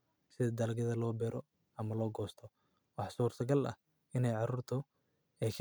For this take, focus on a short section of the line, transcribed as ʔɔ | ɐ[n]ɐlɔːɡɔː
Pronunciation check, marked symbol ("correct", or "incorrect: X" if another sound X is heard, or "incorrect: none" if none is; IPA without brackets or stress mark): incorrect: m